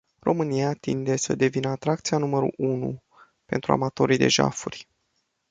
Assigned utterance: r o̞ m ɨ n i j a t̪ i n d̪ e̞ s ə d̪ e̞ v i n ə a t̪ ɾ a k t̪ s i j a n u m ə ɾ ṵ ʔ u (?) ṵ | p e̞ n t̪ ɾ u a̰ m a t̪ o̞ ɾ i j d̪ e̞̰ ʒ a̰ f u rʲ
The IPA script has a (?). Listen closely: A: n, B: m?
A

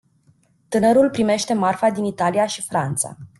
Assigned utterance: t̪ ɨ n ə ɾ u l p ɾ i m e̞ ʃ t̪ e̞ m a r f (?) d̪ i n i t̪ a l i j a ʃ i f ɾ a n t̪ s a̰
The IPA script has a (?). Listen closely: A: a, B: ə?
A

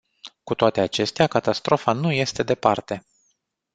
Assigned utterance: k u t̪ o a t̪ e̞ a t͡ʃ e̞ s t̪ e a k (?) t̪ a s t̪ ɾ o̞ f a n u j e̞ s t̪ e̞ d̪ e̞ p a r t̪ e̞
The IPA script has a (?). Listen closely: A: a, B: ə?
A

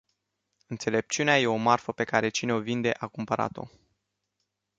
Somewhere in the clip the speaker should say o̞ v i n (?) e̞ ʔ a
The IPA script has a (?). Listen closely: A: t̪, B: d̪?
B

